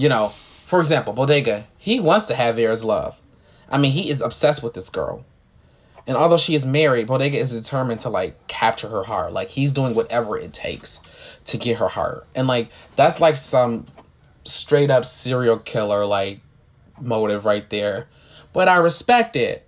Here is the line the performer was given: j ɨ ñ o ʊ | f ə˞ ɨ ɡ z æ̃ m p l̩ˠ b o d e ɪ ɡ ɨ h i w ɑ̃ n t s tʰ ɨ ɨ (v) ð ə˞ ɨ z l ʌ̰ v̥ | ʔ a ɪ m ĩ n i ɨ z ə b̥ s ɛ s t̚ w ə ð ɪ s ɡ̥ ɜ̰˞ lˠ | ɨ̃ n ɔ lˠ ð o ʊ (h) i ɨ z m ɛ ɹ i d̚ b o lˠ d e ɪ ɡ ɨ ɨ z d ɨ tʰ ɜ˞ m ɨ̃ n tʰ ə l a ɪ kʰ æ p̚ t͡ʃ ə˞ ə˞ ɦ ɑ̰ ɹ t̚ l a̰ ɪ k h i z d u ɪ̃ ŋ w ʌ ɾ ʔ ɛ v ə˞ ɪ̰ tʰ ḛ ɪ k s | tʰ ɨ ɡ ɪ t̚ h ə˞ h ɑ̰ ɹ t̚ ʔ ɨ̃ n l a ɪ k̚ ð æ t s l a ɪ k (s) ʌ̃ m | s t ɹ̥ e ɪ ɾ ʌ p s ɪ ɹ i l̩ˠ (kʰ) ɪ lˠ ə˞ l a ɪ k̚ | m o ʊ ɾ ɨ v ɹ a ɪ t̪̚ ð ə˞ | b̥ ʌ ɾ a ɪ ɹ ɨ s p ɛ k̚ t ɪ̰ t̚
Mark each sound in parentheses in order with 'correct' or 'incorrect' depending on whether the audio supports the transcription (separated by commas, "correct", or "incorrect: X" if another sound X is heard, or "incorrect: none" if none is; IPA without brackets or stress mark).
correct, incorrect: ʃ, correct, correct